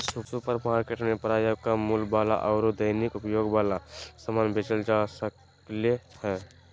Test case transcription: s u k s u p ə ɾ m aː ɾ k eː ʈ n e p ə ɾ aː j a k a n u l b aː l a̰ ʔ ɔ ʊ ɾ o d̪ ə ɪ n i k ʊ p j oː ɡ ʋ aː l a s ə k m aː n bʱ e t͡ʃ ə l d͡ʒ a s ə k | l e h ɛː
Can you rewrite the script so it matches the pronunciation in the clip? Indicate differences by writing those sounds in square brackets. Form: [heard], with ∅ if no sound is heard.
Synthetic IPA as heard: s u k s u p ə ɾ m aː ɾ k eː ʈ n e p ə ɾ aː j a k a [m] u l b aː l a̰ ʔ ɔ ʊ ɾ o d̪ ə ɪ n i k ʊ p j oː ɡ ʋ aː l a s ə [∅] m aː n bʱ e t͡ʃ ə l d͡ʒ a s ə k | l e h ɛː